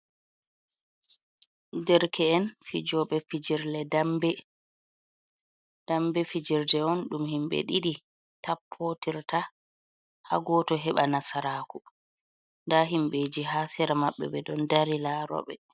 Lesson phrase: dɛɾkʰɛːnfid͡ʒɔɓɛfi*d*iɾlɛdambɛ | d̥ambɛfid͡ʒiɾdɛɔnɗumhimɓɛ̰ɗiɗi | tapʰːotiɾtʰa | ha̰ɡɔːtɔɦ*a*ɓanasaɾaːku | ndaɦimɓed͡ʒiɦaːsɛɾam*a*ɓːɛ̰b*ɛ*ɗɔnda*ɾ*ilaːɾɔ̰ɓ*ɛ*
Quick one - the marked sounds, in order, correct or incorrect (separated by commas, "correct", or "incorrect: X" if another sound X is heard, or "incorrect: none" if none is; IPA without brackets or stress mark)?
incorrect: d͡ʒ, incorrect: ɛ, correct, correct, correct, correct